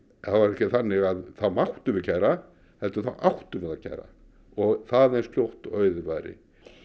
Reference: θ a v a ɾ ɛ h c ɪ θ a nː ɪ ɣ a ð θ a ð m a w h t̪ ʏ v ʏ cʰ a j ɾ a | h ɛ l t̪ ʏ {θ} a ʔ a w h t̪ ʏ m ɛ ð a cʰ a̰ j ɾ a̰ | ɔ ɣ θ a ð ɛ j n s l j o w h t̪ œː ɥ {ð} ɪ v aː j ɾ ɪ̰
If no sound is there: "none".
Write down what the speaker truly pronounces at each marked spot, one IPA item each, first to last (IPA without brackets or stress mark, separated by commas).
θ, ð